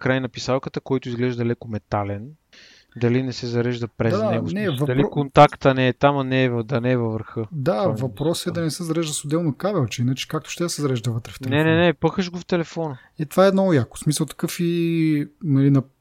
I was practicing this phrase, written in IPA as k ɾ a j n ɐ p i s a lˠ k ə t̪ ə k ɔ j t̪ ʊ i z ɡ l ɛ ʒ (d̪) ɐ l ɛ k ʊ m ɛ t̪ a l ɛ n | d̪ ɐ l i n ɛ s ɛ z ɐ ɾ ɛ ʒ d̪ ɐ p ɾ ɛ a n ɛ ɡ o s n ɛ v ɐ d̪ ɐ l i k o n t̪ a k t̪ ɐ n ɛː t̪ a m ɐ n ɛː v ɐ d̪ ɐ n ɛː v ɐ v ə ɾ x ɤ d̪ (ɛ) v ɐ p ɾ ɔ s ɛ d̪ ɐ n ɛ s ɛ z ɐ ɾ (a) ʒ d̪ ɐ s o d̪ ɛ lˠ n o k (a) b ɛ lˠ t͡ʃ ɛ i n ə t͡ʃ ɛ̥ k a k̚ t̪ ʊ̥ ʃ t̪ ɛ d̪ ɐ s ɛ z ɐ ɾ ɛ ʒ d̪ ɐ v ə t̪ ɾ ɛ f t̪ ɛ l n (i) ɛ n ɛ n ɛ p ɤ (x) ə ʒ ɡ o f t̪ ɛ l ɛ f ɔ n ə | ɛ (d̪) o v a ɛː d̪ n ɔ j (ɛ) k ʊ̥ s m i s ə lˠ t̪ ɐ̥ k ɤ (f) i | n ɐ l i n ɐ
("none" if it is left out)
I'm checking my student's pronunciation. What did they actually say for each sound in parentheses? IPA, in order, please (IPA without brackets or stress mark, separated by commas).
d̪, a, ɛ, a, ɛ, x, t̪, a, f